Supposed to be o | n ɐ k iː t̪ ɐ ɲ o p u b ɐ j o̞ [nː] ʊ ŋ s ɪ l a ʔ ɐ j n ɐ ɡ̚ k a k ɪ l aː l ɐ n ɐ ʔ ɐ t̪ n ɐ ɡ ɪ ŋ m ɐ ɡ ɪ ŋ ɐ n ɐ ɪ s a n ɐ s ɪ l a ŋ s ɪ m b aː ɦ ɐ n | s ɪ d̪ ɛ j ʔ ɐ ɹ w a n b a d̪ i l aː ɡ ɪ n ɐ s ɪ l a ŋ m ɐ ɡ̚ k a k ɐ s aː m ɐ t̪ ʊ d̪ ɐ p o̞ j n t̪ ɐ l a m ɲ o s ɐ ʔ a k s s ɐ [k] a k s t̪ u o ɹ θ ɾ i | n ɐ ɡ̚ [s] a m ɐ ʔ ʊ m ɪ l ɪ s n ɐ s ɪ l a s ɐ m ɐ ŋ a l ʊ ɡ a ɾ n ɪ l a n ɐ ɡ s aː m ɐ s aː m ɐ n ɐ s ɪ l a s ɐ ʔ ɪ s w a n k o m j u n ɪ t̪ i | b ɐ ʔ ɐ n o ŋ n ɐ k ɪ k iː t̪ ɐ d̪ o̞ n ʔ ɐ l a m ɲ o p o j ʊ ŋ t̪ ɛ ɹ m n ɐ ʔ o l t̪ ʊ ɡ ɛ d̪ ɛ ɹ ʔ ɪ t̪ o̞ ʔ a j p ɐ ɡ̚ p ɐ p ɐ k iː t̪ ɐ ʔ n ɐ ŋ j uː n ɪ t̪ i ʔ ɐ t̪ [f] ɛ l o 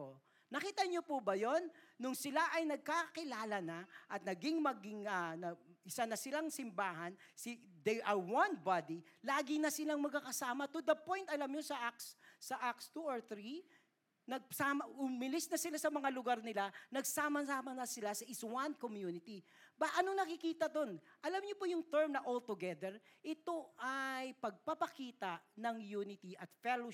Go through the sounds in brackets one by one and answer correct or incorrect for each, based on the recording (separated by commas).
correct, incorrect, correct, correct